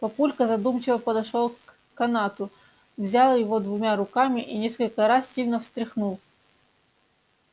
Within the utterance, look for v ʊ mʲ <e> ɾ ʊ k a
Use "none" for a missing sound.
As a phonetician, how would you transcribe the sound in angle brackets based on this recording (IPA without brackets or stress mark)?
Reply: a